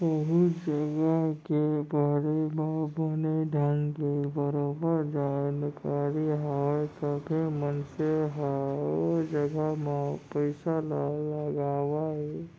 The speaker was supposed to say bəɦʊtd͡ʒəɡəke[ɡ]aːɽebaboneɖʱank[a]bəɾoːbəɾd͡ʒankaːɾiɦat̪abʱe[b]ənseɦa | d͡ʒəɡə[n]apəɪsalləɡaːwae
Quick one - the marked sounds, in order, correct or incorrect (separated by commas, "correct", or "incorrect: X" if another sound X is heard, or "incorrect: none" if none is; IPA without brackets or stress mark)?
incorrect: b, incorrect: e, incorrect: m, incorrect: m